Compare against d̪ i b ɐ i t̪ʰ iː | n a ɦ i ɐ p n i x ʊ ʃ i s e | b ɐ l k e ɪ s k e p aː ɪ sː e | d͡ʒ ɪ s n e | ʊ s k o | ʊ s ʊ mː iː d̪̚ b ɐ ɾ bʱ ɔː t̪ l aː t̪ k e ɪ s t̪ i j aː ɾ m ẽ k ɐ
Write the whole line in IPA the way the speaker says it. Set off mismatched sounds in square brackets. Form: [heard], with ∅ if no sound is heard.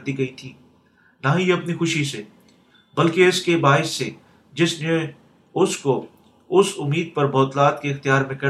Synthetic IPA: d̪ i [ɡ] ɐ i t̪ʰ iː | n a ɦ i ɐ p n i x ʊ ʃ i s e | b ɐ l k e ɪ s k e [b] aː ɪ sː e | d͡ʒ ɪ s n e | ʊ s k o | ʊ s ʊ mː iː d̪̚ [p] ɐ ɾ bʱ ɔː t̪ l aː t̪ k e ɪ [x] t̪ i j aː ɾ m ẽ k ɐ